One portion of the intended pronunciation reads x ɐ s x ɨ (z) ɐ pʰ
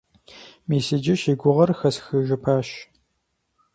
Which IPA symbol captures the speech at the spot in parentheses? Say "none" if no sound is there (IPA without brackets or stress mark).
ʒ